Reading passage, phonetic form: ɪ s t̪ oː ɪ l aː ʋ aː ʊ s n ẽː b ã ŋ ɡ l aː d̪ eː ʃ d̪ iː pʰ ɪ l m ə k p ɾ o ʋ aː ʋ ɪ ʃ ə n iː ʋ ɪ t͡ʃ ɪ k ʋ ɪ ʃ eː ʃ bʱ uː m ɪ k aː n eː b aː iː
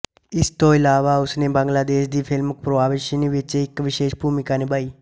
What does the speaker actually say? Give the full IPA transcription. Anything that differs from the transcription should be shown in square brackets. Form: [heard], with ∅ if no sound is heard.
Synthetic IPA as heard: ɪ s t̪ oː ɪ l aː ʋ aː ʊ s n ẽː b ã ŋ ɡ l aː d̪ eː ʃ d̪ iː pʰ ɪ l m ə k p ɾ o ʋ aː ʋ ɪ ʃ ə n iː ʋ ɪ t͡ʃ ɪ k ʋ ɪ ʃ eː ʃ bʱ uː m ɪ k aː n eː b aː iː